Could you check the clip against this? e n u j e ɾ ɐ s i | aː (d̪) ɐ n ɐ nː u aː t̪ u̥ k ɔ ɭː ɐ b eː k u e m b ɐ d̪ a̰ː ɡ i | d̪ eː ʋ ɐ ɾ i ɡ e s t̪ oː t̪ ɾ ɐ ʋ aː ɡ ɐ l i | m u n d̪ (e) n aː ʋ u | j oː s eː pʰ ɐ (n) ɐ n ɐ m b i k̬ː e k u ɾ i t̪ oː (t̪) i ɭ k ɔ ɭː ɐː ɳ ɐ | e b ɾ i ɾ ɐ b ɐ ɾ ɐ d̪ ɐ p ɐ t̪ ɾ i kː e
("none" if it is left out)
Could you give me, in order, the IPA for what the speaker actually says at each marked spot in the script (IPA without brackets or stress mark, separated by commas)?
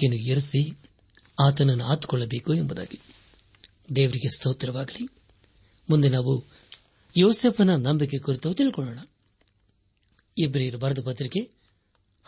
t̪, e, n, t̪